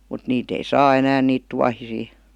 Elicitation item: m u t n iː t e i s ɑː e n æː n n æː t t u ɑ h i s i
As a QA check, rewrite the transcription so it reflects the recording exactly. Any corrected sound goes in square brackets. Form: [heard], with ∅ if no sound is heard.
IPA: m u t n iː t e i s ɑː e n æː n n [iː] t t u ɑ h i s [iː]